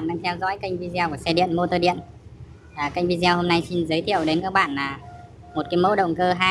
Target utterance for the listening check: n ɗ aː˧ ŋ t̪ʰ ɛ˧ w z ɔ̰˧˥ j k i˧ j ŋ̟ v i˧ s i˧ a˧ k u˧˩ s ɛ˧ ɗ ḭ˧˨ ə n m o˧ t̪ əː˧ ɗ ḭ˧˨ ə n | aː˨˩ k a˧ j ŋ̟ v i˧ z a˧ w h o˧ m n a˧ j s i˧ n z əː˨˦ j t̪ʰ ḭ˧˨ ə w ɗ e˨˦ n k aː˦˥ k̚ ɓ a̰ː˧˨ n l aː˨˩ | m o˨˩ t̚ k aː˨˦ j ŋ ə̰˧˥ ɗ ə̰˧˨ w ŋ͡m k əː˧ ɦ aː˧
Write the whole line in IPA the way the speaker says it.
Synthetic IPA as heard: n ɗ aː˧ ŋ t̪ʰ ɛ˧ w z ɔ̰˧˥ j k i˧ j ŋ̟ v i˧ z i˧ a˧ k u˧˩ s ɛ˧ ɗ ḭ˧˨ ə n m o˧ t̪ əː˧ ɗ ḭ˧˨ ə n | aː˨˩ k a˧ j ŋ̟ v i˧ z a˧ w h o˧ m n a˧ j s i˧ n z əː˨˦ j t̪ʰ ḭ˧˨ ə w ɗ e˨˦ n k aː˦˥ k̚ ɓ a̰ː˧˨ n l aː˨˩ | m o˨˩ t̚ k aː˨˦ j m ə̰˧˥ ɗ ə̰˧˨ w ŋ͡m k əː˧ ɦ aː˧